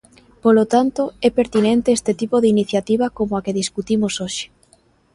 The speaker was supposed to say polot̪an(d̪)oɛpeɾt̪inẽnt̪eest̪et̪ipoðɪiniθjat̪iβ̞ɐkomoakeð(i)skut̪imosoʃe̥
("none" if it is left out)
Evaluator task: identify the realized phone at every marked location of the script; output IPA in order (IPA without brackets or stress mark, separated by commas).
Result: t̪, i